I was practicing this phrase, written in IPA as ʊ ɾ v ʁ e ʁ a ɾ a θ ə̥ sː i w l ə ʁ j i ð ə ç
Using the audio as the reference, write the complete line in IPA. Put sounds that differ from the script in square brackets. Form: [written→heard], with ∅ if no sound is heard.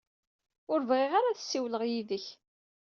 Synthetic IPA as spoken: ʊ ɾ v ʁ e ʁ a ɾ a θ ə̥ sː i w l ə ʁ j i ð ə ç